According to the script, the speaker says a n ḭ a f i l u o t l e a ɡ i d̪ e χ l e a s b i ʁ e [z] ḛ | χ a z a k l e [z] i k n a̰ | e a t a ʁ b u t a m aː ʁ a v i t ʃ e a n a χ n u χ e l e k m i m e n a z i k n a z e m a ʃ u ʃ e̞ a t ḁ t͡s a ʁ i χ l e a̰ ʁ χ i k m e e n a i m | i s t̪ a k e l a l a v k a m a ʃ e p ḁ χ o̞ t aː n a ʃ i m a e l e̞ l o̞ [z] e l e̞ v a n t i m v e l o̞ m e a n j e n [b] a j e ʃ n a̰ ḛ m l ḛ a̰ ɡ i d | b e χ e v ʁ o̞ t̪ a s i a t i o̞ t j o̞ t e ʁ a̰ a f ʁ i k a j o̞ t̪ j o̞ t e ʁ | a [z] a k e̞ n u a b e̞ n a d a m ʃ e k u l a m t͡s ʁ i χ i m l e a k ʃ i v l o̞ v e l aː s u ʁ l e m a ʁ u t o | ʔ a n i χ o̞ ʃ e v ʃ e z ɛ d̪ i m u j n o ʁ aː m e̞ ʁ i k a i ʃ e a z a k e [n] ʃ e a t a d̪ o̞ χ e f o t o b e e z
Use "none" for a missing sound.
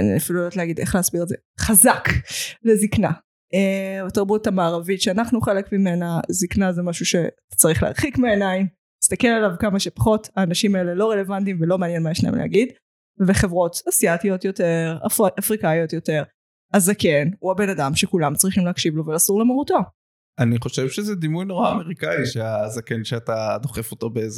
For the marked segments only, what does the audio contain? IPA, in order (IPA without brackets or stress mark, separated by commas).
z, z, ʁ, m, z, n